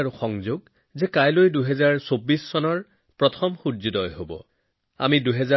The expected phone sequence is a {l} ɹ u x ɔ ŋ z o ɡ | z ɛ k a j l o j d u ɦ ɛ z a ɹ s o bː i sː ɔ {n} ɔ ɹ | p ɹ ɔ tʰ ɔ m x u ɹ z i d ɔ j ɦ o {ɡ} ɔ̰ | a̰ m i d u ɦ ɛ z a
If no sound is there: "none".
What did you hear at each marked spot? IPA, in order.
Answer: none, n, b

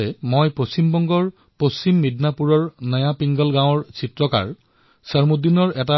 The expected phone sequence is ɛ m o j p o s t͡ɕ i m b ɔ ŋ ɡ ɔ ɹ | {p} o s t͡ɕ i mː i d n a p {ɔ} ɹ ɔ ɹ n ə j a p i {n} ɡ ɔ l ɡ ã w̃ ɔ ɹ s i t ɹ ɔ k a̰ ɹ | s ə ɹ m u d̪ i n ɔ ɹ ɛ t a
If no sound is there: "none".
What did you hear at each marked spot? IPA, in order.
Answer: p, u, ŋ

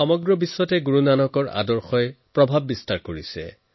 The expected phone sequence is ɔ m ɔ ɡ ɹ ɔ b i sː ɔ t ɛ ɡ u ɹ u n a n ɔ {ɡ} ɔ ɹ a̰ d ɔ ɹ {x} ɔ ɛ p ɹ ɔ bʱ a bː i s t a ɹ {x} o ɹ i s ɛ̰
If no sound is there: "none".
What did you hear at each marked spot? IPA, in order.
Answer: k, x, k

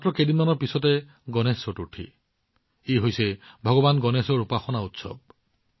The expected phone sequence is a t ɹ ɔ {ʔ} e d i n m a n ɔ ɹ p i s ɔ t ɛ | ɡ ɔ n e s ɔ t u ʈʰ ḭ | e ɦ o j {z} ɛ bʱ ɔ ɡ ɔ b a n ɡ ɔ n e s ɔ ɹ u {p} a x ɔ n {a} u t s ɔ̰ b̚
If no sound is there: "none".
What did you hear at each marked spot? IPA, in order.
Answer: k, s, p, a

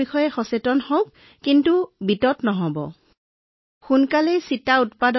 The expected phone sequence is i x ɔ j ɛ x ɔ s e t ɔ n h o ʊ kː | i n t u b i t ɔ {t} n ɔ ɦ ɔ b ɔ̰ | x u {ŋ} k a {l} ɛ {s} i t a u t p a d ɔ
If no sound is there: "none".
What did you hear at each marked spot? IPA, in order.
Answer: t, n, l, s

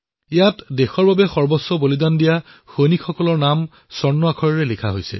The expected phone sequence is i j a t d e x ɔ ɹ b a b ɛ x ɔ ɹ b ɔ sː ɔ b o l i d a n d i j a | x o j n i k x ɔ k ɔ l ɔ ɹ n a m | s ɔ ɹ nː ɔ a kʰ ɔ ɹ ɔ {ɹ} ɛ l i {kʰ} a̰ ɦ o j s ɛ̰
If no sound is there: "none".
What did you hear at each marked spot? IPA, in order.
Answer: ɹ, kʰ

